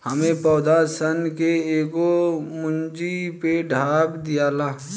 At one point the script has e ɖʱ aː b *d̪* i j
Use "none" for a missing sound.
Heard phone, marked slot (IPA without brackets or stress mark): d̪